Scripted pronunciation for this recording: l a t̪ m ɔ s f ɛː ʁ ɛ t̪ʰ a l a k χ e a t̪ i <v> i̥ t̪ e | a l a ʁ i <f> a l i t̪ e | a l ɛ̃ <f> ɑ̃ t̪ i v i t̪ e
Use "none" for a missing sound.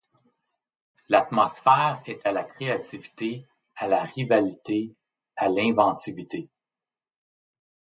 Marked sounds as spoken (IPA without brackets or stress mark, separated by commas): v, v, v